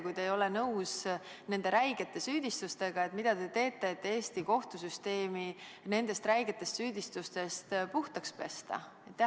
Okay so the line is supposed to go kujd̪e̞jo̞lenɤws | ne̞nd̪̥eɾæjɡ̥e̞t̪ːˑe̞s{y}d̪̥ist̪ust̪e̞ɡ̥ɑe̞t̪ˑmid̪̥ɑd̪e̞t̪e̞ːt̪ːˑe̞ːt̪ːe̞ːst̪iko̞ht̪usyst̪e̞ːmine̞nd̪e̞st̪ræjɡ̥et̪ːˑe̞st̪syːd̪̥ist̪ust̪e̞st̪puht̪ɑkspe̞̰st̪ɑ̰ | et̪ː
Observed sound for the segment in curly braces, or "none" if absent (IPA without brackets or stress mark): yː